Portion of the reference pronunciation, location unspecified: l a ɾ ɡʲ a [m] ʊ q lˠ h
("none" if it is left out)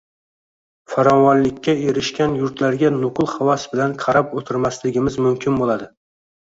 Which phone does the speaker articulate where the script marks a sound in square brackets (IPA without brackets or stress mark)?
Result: n